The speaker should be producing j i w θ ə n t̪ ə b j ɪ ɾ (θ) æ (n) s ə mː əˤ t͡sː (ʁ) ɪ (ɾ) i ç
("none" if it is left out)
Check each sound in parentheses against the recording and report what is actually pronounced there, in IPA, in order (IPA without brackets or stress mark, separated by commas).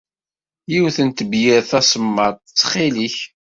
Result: θ, none, χ, l